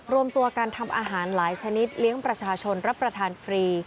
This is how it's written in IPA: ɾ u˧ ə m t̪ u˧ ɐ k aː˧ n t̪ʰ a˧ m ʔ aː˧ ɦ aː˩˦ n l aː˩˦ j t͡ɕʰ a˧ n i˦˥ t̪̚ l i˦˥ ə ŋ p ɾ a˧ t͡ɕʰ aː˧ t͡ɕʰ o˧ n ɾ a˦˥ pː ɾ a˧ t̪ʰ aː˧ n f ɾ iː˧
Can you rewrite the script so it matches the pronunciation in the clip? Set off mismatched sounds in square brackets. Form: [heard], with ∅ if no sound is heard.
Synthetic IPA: ɾ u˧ ə m t̪ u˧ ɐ k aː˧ n t̪ʰ a˧ m ʔ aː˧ ɦ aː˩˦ n l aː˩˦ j t͡ɕʰ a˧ n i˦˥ t̪̚ l i˦˥ ə ŋ p ɾ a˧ t͡ɕʰ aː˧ t͡ɕʰ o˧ n ɾ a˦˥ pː ɾ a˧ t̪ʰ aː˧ n f ɾ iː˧